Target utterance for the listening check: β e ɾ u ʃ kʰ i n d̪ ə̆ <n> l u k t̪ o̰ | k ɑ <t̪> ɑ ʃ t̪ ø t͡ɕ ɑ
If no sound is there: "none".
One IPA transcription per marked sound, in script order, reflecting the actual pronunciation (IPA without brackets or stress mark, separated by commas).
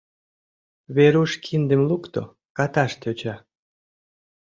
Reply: m, t̪